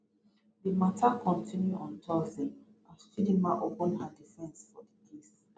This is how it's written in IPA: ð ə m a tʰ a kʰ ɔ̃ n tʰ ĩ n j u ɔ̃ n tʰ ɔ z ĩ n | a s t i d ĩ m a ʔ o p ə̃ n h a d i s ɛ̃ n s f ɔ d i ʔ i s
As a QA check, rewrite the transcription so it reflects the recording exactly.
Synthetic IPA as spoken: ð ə m a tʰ a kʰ ɔ̃ n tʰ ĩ n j u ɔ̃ n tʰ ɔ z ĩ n | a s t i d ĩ m a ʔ o p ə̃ n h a d i f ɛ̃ n s f ɔ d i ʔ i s

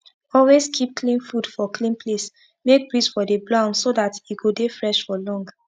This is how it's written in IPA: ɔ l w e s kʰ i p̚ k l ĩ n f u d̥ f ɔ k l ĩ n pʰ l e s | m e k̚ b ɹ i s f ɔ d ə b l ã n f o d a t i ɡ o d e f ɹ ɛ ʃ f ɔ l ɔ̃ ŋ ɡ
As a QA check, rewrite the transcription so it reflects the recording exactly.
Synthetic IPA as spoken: ɔ l w e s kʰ i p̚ k l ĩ n f u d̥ f ɔ k l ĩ n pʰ l e s | m e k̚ b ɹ i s f ɔ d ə b l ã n s o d a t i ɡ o d e f ɹ ɛ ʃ f ɔ l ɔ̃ ŋ ɡ

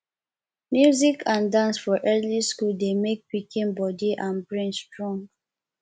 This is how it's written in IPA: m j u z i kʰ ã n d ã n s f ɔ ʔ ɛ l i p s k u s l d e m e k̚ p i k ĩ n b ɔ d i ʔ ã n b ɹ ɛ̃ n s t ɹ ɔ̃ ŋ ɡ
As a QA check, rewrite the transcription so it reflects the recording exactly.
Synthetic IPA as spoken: m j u z i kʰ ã n d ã n s f ɔ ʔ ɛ l i s k u l d e m e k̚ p i k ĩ n b ɔ d i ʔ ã n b ɹ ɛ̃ n s t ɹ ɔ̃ ŋ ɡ

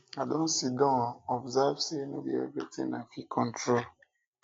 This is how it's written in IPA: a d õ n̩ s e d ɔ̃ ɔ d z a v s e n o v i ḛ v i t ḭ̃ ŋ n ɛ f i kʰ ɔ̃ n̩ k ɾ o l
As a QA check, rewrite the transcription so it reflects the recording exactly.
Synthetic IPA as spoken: a d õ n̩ s i d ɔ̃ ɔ b z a v s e n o b i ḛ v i t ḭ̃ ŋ n a f i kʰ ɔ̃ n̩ t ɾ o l

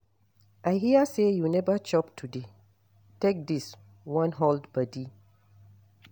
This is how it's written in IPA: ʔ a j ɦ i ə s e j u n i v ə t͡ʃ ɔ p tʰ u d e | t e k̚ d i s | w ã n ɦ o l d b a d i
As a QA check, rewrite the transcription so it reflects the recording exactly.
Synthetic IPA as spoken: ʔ a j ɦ i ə s e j u n ɛ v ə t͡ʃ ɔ p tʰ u d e | t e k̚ d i s | w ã n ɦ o l d b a d i

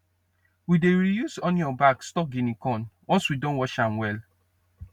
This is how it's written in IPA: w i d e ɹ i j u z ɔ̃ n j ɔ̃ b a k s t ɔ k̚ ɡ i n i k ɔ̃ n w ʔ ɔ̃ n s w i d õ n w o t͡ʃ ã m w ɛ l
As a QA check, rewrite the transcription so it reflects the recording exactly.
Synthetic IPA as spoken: w i d e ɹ i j u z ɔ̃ n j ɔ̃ b a k s t ɔ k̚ ɡ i n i k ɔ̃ n w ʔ ɔ̃ n s w i d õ n w ɔ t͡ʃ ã m w ɛ l

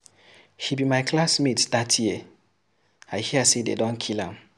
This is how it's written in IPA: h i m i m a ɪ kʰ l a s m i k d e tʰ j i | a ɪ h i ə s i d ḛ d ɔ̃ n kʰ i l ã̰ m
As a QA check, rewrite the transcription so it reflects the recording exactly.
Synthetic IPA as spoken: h i b i m a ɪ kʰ l a s m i t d a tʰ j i | a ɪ h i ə s e d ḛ d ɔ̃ n kʰ i l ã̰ m

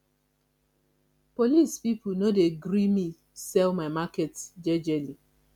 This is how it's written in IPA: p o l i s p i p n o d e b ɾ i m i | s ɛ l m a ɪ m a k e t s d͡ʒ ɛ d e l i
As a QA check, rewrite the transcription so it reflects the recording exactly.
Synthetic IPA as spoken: p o l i s p i p n o d e ɡ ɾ i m i | s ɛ l m a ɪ m a k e t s d͡ʒ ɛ d͡ʒ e l i

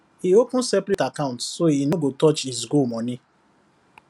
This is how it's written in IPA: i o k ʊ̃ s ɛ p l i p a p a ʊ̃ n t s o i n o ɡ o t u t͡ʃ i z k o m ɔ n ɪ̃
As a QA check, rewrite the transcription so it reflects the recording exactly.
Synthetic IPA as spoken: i o k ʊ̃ s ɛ p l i t a k a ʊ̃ n t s o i n o ɡ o t ɔ t͡ʃ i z ɡ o m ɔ n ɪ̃

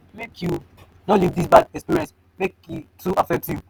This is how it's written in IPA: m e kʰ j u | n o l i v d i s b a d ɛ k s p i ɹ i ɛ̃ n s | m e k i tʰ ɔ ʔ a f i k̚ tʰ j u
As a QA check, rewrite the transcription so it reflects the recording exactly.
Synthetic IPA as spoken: m e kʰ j u | n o l i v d i s b a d ɛ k s p i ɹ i ɛ̃ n s | m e k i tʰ u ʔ a f ɛ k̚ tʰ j u

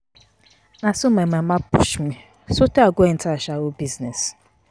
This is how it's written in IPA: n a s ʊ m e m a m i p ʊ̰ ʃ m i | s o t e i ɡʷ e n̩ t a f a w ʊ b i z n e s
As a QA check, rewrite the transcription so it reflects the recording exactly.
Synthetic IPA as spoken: n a s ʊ m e m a m a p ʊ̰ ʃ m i | s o t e a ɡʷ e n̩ t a ʃ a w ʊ b i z n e s

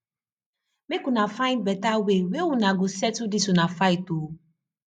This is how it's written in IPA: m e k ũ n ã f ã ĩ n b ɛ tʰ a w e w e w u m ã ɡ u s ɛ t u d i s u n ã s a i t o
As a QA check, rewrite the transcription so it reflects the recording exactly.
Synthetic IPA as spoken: m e k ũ n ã f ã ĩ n b ɛ t a w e w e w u n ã ɡ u s ɛ t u d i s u n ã f a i t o

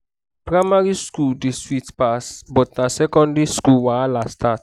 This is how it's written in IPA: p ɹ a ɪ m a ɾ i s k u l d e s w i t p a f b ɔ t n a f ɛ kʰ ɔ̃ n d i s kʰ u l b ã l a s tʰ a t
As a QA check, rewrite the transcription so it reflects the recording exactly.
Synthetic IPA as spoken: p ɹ a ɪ m a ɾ i s k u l d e s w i t p a s b ɔ t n a s ɛ k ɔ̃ n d i s k u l w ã l a s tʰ a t

